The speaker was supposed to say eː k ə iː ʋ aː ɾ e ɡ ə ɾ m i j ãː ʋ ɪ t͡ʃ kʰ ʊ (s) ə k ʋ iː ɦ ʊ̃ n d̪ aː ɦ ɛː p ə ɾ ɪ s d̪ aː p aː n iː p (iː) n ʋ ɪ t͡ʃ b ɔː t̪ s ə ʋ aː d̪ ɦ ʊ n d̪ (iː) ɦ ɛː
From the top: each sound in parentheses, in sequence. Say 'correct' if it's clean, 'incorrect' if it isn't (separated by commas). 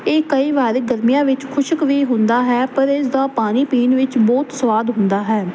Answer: incorrect, correct, incorrect